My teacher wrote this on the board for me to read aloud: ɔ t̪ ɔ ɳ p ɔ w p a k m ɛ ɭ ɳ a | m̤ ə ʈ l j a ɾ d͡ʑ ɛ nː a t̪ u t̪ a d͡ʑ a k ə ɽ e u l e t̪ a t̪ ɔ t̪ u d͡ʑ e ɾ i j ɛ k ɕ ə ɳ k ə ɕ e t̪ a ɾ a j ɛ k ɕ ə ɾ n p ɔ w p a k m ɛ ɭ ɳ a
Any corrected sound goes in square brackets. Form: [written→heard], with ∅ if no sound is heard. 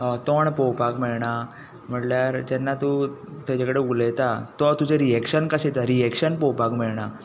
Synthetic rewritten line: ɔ t̪ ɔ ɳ p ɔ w p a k m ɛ ɭ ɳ a | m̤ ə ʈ l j a ɾ d͡ʑ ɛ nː a t̪ u t̪ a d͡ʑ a k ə ɽ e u l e t̪ a t̪ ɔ t̪ u d͡ʑ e ɾ i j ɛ k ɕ ə [ɳ→n] k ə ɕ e t̪ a ɾ [a→i] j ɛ k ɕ ə [ɾ→∅] n p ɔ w p a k m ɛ ɭ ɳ a